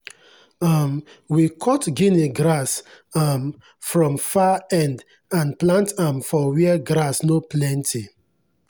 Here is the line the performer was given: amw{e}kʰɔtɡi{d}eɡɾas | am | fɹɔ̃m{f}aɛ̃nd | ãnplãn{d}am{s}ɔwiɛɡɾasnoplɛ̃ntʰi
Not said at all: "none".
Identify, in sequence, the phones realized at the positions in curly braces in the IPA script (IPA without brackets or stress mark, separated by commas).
i, n, f, t, f